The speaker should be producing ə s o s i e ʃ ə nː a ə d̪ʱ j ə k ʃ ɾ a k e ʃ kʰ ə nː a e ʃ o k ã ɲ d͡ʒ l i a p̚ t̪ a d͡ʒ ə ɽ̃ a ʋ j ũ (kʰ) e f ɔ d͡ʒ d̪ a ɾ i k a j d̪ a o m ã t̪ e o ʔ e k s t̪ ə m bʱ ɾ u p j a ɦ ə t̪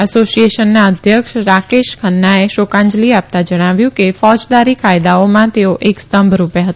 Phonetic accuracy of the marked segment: incorrect: k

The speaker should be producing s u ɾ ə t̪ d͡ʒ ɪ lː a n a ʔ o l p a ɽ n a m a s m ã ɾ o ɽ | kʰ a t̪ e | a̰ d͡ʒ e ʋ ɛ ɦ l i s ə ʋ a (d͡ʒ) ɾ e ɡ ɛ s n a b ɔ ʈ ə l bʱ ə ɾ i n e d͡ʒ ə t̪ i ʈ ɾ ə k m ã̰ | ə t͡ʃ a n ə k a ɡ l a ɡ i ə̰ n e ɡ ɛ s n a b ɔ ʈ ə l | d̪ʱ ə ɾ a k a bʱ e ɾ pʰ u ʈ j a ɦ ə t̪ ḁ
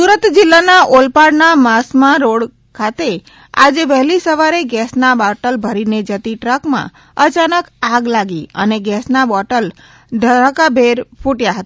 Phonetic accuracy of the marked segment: incorrect: none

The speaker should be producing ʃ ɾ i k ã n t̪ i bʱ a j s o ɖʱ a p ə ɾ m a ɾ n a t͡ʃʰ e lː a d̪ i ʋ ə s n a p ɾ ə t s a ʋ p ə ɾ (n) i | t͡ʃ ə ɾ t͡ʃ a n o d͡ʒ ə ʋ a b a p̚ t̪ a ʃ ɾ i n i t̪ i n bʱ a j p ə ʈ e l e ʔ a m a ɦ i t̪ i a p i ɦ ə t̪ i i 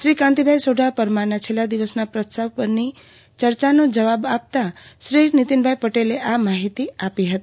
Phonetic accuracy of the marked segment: correct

